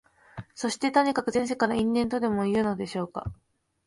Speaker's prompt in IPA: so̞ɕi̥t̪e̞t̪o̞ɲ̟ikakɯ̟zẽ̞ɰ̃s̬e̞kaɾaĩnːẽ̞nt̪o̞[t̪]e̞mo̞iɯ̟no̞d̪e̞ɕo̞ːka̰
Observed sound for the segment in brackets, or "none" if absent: d̪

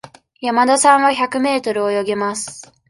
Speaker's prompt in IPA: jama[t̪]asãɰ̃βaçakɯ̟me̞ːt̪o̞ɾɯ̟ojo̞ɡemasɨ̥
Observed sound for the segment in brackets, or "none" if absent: d̪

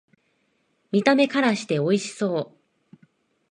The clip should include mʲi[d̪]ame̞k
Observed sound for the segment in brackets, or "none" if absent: t̪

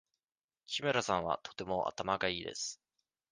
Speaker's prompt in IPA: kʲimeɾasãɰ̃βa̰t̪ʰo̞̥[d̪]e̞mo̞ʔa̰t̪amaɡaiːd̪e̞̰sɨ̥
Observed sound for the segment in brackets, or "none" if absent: t̪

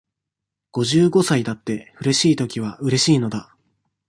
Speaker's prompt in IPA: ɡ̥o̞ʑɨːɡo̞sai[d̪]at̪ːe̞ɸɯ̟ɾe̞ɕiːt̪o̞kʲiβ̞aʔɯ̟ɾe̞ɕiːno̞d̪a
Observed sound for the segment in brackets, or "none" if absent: d̪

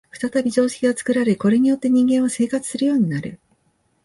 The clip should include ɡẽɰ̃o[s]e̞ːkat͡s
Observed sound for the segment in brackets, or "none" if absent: s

